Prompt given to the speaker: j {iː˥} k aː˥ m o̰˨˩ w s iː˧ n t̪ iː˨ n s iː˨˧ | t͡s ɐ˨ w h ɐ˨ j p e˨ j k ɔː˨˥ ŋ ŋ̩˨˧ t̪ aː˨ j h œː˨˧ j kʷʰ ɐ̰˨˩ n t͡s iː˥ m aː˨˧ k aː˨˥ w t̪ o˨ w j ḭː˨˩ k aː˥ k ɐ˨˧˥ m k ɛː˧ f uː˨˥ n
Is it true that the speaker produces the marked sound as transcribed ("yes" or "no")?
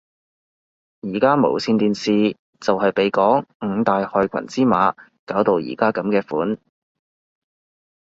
no